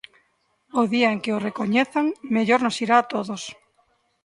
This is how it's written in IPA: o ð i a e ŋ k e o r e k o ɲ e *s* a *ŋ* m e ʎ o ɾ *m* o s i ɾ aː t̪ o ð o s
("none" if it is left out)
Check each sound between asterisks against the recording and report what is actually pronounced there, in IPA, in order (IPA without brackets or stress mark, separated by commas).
θ, ŋ, n